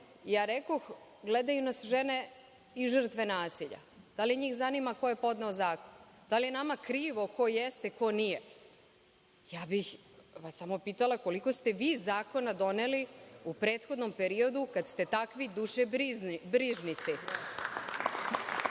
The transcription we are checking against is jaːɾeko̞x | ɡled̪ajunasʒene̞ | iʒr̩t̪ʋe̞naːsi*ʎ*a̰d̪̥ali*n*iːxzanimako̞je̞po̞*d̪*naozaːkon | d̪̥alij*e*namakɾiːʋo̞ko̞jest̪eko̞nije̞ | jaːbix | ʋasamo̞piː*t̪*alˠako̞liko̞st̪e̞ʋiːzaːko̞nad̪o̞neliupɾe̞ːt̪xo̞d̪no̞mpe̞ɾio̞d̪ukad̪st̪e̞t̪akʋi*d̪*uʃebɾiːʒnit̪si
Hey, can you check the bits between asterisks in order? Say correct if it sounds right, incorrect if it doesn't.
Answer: correct, incorrect, correct, correct, correct, correct

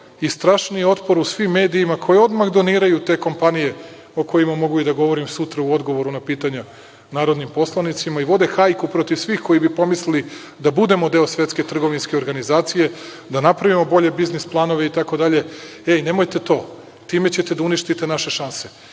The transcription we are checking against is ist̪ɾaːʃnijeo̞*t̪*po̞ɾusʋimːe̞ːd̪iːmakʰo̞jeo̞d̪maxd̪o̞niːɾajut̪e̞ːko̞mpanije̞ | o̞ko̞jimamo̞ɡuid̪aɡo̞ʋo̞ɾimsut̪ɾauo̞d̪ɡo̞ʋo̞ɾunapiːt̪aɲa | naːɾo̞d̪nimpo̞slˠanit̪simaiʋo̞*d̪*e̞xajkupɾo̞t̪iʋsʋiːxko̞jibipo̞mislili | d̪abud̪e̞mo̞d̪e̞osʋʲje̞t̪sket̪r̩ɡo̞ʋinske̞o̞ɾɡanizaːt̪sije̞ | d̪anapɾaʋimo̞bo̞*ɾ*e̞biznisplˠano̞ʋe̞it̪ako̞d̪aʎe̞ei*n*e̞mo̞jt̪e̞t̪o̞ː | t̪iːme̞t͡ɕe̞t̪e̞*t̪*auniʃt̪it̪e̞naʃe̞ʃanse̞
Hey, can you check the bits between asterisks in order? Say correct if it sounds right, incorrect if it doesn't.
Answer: correct, correct, incorrect, correct, incorrect

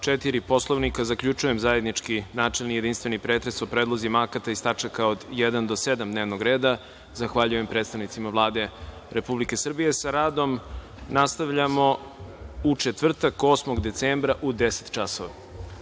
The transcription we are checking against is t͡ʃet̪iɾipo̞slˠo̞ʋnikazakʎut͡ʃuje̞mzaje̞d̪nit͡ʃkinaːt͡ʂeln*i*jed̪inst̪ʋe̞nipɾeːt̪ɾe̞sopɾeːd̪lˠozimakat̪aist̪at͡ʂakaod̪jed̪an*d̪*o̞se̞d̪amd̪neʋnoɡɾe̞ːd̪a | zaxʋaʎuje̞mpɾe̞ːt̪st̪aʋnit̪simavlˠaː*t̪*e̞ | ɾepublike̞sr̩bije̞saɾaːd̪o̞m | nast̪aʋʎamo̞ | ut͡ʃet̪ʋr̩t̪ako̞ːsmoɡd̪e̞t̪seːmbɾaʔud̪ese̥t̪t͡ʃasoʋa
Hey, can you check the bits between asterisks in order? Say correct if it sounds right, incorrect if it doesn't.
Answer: correct, correct, incorrect

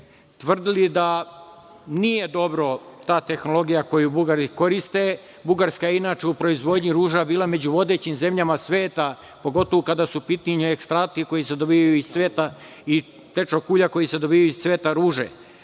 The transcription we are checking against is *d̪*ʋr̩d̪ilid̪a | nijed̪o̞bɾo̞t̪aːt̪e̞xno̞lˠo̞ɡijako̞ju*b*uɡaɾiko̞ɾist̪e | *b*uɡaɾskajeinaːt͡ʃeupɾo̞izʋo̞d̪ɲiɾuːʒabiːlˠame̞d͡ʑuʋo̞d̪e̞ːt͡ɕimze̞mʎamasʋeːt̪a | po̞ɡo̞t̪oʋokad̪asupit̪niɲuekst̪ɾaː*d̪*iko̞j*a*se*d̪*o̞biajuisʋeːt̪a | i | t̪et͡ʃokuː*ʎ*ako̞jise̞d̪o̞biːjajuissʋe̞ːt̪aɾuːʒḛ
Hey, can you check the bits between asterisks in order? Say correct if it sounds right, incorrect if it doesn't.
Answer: incorrect, correct, correct, incorrect, incorrect, correct, correct

